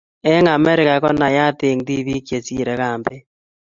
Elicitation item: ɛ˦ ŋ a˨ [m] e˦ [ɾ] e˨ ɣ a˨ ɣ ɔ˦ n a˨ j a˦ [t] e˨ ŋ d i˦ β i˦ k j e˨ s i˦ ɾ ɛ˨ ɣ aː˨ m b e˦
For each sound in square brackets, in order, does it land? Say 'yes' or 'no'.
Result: yes, yes, yes

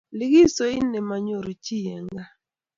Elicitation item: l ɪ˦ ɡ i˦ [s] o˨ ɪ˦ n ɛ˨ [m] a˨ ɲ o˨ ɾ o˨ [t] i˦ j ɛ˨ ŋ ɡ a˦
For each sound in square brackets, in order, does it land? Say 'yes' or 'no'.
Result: yes, yes, no

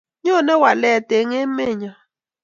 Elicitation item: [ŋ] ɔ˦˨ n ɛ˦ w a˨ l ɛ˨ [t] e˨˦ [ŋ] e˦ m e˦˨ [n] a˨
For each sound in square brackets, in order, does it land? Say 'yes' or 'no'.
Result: no, yes, yes, no

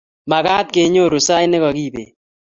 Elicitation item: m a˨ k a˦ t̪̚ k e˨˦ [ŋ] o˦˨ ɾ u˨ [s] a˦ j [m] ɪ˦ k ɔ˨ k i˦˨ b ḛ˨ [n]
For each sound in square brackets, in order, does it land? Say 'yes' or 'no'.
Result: no, yes, no, no

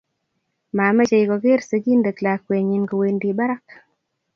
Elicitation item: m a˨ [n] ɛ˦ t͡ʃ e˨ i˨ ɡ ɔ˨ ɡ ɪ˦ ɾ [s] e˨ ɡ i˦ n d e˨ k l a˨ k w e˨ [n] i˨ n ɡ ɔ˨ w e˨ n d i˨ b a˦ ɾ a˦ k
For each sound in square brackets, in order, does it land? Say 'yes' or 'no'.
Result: no, yes, no

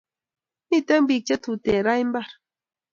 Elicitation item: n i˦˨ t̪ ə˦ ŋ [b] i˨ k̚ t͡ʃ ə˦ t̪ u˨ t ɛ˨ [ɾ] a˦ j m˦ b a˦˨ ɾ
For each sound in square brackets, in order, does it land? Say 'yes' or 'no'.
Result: yes, yes

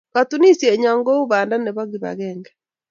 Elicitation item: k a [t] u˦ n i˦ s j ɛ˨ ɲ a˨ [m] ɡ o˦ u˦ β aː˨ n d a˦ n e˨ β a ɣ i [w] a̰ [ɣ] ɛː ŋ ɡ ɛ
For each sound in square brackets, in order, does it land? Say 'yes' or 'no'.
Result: yes, no, no, yes

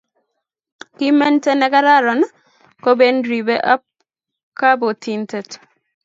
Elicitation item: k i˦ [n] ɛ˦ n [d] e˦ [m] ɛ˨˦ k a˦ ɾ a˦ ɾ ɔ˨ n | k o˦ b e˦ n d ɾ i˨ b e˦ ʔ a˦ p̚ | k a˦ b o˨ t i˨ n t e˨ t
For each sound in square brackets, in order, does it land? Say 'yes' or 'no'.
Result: no, no, no

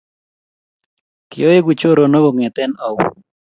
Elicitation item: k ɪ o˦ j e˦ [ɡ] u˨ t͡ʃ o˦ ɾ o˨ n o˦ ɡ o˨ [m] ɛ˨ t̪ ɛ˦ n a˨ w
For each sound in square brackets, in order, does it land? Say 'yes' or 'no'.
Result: yes, no

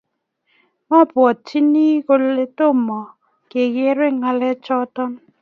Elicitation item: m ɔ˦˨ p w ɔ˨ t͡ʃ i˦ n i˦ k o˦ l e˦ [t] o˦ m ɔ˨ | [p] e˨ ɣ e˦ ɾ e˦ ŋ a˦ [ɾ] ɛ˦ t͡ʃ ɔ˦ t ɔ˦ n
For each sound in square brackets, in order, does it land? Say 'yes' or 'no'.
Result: yes, no, no

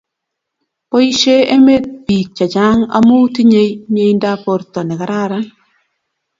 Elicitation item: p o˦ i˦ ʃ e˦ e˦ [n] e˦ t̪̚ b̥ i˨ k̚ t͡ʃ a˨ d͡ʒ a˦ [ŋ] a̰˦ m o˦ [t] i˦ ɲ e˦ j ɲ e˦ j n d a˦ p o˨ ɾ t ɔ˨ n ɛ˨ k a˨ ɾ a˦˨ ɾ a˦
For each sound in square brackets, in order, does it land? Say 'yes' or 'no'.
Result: no, yes, yes

